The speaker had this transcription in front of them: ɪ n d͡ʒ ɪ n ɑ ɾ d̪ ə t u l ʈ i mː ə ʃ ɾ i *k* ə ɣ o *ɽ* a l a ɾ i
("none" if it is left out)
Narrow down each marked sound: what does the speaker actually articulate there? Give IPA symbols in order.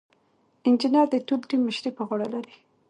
p, ɽ

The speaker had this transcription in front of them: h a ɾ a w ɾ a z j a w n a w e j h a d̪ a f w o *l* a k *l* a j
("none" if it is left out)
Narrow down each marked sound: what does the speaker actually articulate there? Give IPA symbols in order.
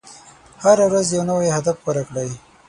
ɾ, ɽ

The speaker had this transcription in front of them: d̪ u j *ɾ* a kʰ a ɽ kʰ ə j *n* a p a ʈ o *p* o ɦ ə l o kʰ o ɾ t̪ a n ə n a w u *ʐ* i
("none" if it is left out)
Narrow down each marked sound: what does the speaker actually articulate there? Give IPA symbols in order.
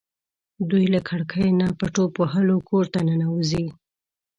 l, n, p, z

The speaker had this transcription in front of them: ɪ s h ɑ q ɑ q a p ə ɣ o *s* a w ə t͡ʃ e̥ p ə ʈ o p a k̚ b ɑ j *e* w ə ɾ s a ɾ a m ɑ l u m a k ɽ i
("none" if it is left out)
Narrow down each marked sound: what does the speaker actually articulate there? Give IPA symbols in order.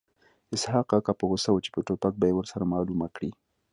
s, e

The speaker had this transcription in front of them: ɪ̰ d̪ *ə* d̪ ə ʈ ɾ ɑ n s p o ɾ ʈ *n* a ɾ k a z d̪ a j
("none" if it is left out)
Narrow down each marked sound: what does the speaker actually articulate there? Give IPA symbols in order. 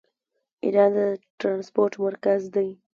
ɑ, m

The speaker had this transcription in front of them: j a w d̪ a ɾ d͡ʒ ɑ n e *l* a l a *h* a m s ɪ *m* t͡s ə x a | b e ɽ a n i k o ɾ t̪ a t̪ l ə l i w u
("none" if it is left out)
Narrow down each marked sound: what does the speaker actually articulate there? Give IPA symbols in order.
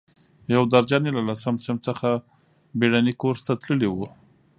l, s, m

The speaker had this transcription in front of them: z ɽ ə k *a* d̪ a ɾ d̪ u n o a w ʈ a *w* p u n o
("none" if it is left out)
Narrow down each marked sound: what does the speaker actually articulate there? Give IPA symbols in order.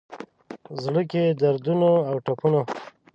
e, none

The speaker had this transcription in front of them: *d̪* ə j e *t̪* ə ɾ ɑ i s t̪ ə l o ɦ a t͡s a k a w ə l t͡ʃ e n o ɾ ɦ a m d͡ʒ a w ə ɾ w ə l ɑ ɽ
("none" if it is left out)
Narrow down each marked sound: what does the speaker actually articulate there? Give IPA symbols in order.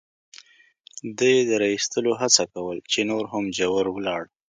d̪, d̪

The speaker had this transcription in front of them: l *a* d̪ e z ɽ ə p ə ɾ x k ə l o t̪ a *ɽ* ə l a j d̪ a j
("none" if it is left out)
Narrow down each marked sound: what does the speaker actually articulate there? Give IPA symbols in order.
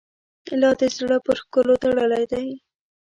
ɑ, ɽ

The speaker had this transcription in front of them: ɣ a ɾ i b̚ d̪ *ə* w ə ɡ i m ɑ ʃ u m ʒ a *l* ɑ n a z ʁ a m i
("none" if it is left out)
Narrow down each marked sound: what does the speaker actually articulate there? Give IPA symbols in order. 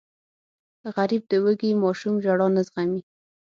ə, ɽ

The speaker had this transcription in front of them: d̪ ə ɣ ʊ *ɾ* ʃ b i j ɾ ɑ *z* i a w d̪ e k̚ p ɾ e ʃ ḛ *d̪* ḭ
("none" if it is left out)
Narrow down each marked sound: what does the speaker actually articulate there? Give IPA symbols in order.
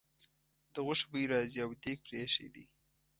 none, z, d̪

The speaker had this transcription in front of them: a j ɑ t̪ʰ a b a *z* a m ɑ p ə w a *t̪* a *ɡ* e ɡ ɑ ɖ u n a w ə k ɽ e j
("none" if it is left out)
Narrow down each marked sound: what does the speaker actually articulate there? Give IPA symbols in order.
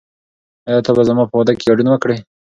z, d̪, k

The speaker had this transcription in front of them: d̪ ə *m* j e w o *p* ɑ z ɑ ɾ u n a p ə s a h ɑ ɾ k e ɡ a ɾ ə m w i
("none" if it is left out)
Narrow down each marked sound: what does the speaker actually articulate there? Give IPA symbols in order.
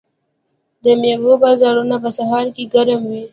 m, b

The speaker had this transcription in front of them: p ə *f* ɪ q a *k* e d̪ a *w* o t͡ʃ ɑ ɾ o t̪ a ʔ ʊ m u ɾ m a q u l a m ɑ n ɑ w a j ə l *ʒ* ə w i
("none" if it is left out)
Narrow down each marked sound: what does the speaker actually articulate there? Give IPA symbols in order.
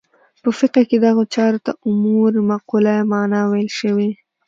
f, k, ɣ, ʃ

